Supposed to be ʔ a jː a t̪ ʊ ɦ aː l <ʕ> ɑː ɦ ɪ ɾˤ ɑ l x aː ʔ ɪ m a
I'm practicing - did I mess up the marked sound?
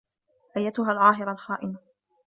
no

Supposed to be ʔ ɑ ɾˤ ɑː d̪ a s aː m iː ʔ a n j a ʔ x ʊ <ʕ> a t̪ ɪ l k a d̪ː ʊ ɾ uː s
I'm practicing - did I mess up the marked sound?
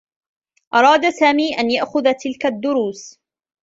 yes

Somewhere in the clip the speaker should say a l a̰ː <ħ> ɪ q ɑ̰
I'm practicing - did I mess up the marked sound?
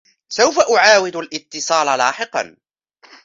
no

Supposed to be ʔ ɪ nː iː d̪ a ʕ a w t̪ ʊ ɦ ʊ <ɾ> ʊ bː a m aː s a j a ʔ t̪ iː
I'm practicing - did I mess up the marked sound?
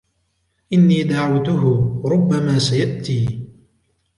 no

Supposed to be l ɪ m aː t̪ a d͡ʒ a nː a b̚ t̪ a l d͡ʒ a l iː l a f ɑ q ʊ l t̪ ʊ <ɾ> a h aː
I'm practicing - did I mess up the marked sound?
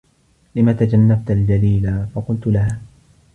yes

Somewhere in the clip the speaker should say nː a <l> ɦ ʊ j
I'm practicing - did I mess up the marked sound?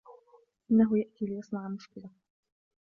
yes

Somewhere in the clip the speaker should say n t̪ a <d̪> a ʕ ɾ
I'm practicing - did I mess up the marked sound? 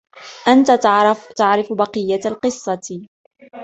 yes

